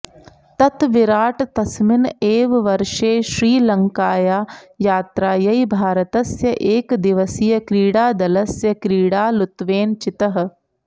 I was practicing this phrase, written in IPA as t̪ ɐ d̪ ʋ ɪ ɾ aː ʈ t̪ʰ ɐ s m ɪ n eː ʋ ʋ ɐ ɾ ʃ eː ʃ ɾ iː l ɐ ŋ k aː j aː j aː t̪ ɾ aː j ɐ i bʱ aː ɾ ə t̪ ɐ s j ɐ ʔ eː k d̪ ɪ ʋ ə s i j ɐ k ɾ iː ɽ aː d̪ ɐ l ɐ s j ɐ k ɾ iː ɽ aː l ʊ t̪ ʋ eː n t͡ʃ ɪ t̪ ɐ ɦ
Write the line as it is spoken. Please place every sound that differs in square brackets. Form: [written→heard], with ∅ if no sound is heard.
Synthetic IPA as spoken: t̪ ɐ [d̪→t̪] ʋ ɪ ɾ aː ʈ [t̪ʰ→t̪] ɐ s m ɪ n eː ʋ ʋ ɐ ɾ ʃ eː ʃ ɾ iː l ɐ ŋ k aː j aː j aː t̪ ɾ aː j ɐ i bʱ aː ɾ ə t̪ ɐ s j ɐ ʔ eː k d̪ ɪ ʋ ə s i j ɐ k ɾ iː ɽ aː d̪ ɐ l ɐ s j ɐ k ɾ iː ɽ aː l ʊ t̪ ʋ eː n t͡ʃ ɪ t̪ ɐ ɦ